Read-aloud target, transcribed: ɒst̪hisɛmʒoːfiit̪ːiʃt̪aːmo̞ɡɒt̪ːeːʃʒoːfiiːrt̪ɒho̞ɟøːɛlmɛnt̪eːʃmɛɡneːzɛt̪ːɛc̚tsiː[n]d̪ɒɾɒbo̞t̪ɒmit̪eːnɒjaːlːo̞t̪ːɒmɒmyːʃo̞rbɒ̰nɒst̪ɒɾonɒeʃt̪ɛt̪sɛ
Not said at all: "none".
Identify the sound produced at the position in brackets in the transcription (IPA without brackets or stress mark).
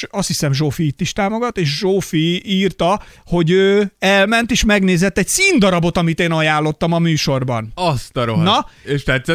n